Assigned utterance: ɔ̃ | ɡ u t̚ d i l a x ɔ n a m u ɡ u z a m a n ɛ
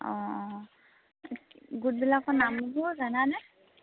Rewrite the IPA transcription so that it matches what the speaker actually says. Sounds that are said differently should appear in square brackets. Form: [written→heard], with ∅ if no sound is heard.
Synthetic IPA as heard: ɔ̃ | ɡ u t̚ [d→b] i l a [x→k] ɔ n a m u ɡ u z a [m→n] a n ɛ

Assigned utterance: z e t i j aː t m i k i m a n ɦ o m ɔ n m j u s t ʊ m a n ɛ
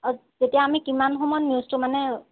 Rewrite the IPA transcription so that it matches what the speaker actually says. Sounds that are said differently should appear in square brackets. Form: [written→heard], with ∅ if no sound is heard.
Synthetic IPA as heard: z e t i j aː [t→∅] m i k i m a n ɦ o m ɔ n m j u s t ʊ m a n ɛ

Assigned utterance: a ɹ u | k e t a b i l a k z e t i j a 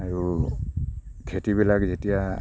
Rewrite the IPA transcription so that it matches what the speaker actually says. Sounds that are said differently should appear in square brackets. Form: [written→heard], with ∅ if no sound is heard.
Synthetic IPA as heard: a ɹ u | [k→kʰ] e t [a→i] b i l a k z e t i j a

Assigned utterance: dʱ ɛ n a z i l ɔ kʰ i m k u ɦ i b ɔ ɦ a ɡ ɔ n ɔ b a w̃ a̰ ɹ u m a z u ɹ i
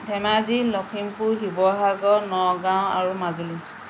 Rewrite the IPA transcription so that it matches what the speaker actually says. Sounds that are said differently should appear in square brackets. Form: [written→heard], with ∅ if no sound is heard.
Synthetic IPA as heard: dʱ ɛ [n→m] a z i l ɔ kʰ i m [k→p] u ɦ i b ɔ ɦ a ɡ ɔ n ɔ [b→ɡ] a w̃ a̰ ɹ u m a z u [ɹ→l] i

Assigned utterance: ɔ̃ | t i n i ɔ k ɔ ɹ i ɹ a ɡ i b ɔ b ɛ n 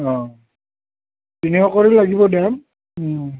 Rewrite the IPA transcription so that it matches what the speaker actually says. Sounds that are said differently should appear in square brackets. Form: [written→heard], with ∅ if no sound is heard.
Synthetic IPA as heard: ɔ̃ | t i n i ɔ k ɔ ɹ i [ɹ→l] a ɡ i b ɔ [b→d] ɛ [n→m]

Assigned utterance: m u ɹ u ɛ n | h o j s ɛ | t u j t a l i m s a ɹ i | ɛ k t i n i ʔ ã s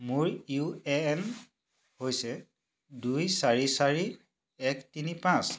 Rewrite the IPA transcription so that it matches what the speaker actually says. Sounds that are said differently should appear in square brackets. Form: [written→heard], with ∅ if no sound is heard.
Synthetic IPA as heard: m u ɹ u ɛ n | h o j s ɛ | [t→d] u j [t→s] a [l→ɹ] i [m→∅] s a ɹ i | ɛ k t i n i [ʔ→p] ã s

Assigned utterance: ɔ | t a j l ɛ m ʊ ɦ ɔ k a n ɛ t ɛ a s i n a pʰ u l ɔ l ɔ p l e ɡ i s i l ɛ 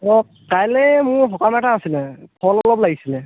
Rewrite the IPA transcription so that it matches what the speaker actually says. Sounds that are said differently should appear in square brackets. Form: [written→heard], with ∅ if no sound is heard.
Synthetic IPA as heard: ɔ | [t→k] a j l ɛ m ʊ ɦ ɔ k a [n→m] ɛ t [ɛ→a] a s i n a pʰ [u→ɔ] l ɔ l ɔ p l [e→a] ɡ i s i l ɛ

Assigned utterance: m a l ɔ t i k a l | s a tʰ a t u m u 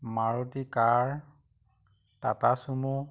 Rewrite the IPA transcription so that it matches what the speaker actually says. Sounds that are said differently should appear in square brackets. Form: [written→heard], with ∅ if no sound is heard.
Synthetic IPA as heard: m a [l→ɹ] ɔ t i k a [l→ɹ] | [s→t] a [tʰ→t] a [t→s] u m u

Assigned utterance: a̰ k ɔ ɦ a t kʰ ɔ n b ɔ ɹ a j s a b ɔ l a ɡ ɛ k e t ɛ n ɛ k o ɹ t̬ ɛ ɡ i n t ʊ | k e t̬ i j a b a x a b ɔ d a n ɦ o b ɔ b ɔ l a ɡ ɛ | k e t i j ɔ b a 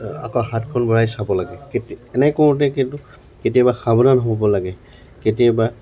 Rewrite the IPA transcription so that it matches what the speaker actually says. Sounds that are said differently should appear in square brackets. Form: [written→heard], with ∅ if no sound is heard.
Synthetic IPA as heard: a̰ k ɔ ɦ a t kʰ ɔ n b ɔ ɹ a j s a b ɔ l a ɡ ɛ k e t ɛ n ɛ k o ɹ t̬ ɛ [ɡ→k] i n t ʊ | k e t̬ i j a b a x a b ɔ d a n ɦ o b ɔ b ɔ l a ɡ ɛ | k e t i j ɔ b a

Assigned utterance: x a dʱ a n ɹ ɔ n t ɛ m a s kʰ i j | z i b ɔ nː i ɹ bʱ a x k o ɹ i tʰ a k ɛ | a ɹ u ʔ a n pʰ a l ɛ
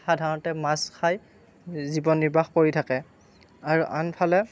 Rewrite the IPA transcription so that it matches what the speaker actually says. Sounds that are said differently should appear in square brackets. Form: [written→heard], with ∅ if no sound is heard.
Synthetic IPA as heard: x a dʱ a [n→∅] ɹ ɔ n t ɛ m a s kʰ [i→a] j | z i b ɔ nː i ɹ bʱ a x k o ɹ i tʰ a k ɛ | a ɹ u ʔ a n pʰ a l ɛ

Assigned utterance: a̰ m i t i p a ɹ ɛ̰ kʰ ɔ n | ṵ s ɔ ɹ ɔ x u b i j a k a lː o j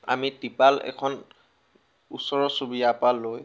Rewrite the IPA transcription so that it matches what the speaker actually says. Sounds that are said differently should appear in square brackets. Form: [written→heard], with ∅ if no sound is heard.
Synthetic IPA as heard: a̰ m i t i p a [ɹ→l] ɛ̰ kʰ ɔ n | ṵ s ɔ ɹ ɔ [x→s] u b i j a [k→p] a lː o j

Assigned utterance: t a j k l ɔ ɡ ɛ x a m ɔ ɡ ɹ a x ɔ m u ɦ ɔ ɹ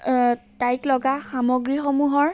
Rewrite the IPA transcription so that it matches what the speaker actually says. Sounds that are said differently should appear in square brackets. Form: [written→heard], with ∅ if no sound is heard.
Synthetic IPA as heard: t a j k l ɔ ɡ [ɛ→a] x a m ɔ ɡ ɹ [a→i] x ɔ m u ɦ ɔ ɹ

